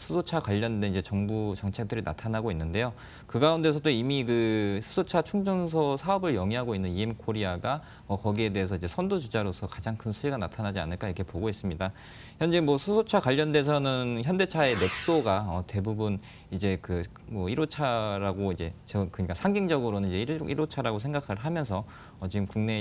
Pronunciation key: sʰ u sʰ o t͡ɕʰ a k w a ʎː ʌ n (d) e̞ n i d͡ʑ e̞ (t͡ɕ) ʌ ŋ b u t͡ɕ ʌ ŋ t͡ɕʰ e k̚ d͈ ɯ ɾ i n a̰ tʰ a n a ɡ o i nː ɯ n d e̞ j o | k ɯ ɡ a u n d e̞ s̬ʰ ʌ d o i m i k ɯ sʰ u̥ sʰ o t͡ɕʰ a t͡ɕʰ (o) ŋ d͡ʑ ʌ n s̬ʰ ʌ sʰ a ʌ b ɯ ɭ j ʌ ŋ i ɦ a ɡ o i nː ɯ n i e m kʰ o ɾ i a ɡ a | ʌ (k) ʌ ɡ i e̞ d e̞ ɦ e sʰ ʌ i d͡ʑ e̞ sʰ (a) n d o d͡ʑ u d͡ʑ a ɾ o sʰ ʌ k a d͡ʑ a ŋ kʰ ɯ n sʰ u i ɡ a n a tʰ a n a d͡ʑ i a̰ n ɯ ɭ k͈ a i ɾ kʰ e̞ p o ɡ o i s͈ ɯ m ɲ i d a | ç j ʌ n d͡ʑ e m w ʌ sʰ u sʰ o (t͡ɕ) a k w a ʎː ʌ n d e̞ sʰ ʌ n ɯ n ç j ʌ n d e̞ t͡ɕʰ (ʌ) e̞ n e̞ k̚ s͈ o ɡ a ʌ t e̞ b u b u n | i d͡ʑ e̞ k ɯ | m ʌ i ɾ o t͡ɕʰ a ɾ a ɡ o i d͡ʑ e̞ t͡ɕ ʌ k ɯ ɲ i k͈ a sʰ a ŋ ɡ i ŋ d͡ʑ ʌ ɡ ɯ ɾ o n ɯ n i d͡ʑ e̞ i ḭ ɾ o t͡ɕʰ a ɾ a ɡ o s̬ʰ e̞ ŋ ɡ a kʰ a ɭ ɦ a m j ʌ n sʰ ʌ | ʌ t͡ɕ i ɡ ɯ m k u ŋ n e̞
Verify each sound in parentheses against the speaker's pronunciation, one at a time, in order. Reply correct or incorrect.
correct, correct, incorrect, correct, incorrect, incorrect, incorrect

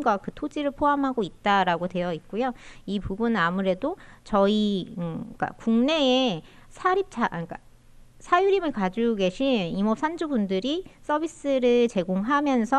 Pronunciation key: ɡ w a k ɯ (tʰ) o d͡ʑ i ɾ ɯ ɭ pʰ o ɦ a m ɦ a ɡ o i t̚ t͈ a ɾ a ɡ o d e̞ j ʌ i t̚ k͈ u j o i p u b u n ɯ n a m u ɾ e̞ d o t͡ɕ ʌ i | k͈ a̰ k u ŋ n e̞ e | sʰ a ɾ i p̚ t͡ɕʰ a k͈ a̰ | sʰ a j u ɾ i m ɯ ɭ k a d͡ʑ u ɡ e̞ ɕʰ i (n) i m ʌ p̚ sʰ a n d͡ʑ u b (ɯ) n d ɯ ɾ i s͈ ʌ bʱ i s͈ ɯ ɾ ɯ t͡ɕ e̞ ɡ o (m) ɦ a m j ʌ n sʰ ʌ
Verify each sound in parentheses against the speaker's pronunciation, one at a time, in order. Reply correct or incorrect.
correct, correct, incorrect, incorrect

